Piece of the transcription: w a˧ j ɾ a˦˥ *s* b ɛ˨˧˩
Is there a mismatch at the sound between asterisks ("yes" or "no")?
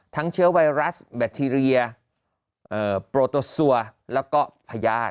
no